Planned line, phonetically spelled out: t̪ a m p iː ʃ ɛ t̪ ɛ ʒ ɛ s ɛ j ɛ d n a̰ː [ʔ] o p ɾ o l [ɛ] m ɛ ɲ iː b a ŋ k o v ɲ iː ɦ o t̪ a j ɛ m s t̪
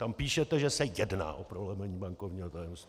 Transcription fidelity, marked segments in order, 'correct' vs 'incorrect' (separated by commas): correct, correct